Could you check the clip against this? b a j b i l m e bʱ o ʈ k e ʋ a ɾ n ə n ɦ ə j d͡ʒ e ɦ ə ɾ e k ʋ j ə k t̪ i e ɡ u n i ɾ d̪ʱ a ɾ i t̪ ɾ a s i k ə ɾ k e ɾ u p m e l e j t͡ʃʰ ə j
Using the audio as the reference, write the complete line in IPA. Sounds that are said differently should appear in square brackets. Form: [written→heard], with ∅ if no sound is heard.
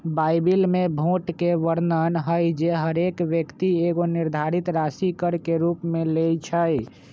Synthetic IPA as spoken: b a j b i l m e bʱ o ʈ k e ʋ [a→ə] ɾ n ə n ɦ ə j d͡ʒ e ɦ ə ɾ e k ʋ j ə k t̪ i e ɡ [u→o] n i ɾ d̪ʱ a ɾ i t̪ ɾ a s i k ə ɾ k e ɾ u p m e l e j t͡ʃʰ ə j